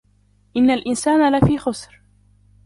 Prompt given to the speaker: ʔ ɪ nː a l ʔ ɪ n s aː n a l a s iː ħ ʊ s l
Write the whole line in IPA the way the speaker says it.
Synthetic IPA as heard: ʔ ɪ nː a l ʔ ɪ n s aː n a l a f iː x ʊ s ɾ